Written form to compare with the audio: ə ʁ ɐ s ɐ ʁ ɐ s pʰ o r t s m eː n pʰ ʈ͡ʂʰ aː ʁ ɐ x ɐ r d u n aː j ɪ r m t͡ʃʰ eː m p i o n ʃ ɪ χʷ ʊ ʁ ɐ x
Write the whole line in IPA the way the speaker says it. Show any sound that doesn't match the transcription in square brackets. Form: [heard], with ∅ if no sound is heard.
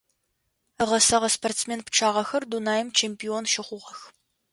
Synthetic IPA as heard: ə ʁ ɐ s ɐ ʁ ɐ s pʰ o r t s m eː n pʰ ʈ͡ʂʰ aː ʁ ɐ x ɐ r d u n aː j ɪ [∅] m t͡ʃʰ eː m p i o n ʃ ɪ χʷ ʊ ʁ ɐ x